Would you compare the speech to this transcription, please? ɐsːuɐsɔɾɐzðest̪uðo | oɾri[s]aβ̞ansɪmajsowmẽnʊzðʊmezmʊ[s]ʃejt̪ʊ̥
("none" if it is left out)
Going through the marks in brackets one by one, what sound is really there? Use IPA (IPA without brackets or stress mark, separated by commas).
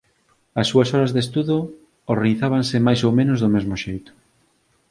θ, none